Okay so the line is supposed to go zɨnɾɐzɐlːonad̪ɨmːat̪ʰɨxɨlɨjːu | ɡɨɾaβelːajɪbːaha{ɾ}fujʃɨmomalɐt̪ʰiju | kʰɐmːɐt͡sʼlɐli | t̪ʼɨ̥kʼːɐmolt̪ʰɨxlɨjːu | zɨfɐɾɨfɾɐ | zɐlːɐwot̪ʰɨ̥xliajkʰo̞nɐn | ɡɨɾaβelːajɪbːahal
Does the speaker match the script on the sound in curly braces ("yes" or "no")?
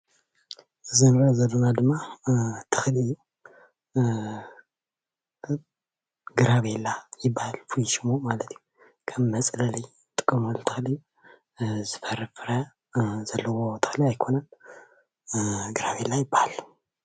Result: no